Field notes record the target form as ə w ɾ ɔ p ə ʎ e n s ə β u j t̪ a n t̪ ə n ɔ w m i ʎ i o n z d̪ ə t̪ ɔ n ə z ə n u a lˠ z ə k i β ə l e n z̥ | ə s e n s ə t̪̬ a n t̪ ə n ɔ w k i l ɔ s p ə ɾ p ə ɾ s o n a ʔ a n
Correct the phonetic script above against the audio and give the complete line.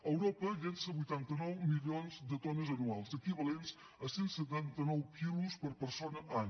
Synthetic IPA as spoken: ə w ɾ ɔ p ə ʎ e n s ə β u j t̪ a n t̪ ə n ɔ w m i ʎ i o n z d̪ ə t̪ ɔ n ə z ə n u a lˠ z ə k i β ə l e n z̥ | ə s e n s ə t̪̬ a n t̪ ə n ɔ w k i l u s p ə ɾ p ə ɾ s o n ə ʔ a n